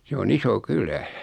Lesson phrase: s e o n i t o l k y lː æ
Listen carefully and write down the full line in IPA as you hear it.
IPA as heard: s e o n i s o k y l æ

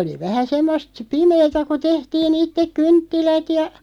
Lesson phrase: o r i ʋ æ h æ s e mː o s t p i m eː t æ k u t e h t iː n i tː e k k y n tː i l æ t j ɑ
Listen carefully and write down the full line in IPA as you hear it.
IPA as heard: o l i ʋ æ h æ s e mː o s t p i m eː t æ k u t e h t iː n i tː e k k y n tː i l æ t j ɑ

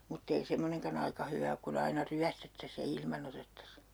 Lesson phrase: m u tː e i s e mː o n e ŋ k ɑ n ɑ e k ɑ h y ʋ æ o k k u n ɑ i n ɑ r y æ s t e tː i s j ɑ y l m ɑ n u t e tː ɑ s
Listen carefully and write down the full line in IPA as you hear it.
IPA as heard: m u tː e i s e mː o n e ŋ k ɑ n ɑ i k ɑ h y ʋ æ o k k u n ɑ i n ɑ r y æ s t e tː æ s j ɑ i l m ɑ n o t e tː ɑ s

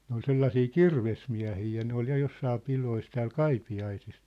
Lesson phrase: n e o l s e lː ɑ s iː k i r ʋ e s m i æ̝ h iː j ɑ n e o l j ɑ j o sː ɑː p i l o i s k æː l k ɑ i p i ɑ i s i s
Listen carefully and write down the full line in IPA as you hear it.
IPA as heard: n e o l s e lː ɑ s iː k i r ʋ e s m i æ̝ h iː j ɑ n e o l j ɑ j o sː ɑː p i l o i s t æː l k ɑ i p i ɑ i s i s

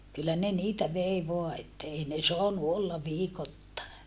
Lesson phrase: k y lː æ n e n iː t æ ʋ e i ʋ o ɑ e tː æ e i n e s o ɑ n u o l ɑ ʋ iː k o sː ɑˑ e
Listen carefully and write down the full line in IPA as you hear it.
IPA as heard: k y lː æ n e n iː t æ ʋ e i ʋ o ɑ e tː æ e i n e s o ɑ n u o lː ɑ ʋ iː k o tː ɑˑ e

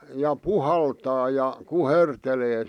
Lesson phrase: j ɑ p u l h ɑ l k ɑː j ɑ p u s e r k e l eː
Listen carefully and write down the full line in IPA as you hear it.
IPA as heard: j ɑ p u h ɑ l t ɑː j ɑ k u h e r t e l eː

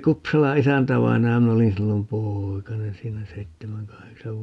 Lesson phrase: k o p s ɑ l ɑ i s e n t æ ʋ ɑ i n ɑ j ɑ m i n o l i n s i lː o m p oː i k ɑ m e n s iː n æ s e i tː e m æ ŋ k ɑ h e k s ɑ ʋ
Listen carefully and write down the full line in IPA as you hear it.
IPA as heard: k u p s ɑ l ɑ i s æ n t æ ʋ ɑ i n ɑ j ɑ m i n o l i n s i lː o m p oː i k ɑ n e n s iː n æ s e i tː e m æ ŋ k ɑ h e k s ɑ ʋ

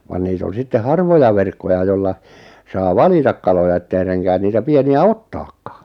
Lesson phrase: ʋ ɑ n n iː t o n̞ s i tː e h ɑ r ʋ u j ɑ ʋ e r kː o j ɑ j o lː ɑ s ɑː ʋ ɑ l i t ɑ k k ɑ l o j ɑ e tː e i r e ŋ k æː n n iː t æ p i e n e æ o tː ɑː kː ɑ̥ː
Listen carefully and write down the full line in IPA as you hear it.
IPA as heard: ʋ ɑ n n iː t o n̞ s i tː e h ɑ r ʋ o j ɑ ʋ e r kː o j ɑ j o lː ɑ s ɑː ʋ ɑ l i t ɑ k k ɑ l o j ɑ e tː e i r e ŋ k æː n n iː t æ p i e n i æ o tː ɑː kː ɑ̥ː

